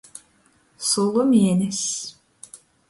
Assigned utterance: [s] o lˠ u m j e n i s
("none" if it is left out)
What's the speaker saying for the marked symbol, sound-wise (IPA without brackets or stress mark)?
s